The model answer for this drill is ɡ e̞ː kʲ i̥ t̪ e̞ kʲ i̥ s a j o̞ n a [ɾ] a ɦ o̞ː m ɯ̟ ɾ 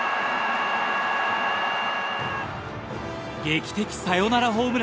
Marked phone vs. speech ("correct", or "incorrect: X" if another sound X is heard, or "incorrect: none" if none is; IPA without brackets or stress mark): correct